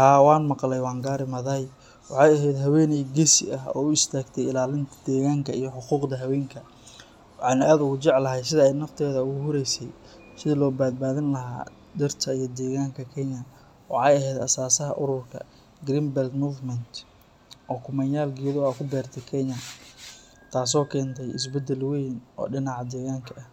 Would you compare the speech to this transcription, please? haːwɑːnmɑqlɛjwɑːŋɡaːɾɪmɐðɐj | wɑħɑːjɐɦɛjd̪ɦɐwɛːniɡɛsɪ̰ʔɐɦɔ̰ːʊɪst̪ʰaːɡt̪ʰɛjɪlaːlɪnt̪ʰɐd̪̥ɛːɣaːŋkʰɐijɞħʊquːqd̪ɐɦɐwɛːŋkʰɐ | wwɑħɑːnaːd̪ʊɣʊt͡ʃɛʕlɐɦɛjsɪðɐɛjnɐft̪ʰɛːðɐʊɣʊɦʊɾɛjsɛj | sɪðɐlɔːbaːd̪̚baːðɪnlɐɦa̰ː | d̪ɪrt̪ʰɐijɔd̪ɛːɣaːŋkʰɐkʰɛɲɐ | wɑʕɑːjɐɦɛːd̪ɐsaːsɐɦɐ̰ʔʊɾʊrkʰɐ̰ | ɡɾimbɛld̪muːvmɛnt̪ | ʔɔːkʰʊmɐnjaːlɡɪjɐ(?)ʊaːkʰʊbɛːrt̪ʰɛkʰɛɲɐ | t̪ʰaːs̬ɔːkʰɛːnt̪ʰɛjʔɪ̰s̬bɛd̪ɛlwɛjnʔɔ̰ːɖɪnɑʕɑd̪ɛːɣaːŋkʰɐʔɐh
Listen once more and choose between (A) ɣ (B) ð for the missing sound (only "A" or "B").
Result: B